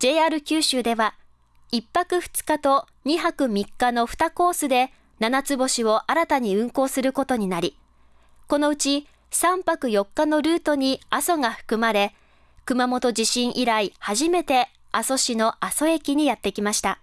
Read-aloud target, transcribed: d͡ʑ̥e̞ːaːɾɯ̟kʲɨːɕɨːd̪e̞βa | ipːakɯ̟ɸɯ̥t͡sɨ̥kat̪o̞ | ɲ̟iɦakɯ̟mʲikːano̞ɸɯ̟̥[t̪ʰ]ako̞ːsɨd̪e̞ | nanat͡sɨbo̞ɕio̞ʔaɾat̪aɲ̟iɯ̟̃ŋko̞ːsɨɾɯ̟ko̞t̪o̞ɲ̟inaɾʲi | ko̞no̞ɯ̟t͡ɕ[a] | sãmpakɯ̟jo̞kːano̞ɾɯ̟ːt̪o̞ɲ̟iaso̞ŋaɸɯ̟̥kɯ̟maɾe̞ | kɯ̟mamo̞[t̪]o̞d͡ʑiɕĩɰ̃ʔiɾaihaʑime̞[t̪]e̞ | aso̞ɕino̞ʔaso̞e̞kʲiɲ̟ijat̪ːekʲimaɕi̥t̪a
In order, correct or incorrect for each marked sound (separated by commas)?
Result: incorrect, incorrect, correct, correct